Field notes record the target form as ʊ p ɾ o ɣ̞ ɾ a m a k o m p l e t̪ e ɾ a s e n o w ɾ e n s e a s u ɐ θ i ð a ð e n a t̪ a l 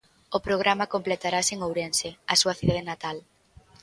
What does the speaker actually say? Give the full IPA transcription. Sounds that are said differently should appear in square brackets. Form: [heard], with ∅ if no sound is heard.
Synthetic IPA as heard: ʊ p ɾ o ɣ̞ ɾ a m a k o m p l e t̪ [a] ɾ a s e [ŋ] o w ɾ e n s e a s u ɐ θ i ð a ð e n a t̪ a l